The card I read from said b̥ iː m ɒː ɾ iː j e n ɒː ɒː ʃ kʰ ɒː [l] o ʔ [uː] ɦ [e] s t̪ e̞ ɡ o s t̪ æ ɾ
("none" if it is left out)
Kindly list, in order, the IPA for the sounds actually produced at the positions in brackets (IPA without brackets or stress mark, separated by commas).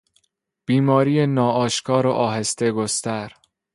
ɾ, ɒː, e